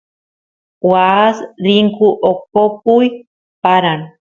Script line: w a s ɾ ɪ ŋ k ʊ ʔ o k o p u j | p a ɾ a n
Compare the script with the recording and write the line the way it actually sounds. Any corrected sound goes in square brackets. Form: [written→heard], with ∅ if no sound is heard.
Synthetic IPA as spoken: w a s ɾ [ɪ→i] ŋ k [ʊ→u] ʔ o k o p u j | p a ɾ a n